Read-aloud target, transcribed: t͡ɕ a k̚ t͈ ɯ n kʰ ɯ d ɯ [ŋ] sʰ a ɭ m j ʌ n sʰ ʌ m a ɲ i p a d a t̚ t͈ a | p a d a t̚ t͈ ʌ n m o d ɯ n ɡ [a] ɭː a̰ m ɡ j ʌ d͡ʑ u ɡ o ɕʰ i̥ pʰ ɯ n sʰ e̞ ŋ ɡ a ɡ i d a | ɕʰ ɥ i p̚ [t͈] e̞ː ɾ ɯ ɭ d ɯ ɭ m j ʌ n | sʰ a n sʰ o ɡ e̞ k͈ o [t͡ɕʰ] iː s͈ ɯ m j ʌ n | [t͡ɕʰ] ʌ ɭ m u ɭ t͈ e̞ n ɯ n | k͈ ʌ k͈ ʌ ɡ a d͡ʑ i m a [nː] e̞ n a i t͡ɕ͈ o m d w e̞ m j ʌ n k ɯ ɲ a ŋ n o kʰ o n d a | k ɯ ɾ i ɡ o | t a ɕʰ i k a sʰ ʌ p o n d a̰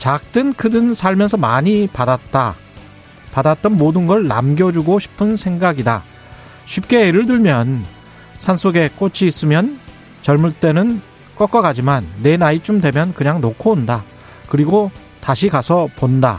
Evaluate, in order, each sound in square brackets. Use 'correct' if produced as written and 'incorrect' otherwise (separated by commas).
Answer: incorrect, incorrect, incorrect, correct, incorrect, correct